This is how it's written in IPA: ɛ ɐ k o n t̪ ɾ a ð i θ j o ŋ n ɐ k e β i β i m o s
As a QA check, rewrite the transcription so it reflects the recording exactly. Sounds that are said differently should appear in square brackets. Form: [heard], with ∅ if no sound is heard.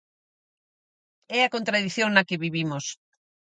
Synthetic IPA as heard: ɛ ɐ k o n t̪ ɾ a ð i θ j o ŋ n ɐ k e β i β i m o s